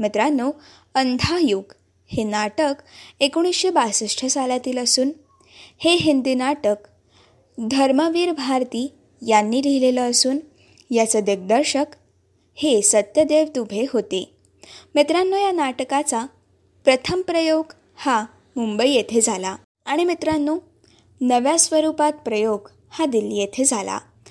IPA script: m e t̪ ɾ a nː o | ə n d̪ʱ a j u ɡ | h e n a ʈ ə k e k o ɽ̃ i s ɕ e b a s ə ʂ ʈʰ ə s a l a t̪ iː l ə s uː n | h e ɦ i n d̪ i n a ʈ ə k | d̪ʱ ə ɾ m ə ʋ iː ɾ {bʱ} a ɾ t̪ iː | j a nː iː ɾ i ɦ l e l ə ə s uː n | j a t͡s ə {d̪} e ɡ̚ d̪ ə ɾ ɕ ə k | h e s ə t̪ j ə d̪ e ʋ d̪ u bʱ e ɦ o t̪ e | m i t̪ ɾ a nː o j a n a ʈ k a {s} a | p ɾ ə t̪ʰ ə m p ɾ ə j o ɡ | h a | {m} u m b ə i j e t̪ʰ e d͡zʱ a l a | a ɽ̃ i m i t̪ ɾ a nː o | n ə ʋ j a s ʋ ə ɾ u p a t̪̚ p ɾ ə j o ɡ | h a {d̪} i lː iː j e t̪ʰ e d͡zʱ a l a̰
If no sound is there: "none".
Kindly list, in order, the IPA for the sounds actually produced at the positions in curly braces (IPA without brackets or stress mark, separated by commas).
bʱ, d̪, t͡s, m, d̪